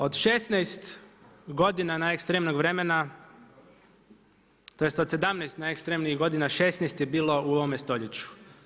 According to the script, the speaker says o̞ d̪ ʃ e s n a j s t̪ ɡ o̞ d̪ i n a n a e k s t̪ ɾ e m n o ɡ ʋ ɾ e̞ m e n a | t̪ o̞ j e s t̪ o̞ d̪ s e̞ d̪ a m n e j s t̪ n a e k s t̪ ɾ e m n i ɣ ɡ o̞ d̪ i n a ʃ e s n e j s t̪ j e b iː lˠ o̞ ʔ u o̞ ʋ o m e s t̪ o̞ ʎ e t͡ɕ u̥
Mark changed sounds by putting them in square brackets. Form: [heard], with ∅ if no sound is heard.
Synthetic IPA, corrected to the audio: o̞ d̪ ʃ e s n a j s t̪ ɡ o̞ d̪ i n a n a e k s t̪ ɾ e m n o ɡ ʋ ɾ e̞ m e n a | t̪ o̞ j e s t̪ o̞ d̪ s e̞ d̪ a m n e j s t̪ n a e k s t̪ ɾ e m n i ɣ ɡ o̞ d̪ i n a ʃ e s n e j s t̪ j e b iː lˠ o̞ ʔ u o̞ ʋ o m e s t̪ o̞ ʎ e t͡ɕ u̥